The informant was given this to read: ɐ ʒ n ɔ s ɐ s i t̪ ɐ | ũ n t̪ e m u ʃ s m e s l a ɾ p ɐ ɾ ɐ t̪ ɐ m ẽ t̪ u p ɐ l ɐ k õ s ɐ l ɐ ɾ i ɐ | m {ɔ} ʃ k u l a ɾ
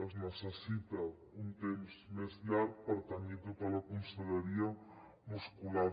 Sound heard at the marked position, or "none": u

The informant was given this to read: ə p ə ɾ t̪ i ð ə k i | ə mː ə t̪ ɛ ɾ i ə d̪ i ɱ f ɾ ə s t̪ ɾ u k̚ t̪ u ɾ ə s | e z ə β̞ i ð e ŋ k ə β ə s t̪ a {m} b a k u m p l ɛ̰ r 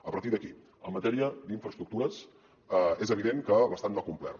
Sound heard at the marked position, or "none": n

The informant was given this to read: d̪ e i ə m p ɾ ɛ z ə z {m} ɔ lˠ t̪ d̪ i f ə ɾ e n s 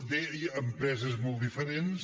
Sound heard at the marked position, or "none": m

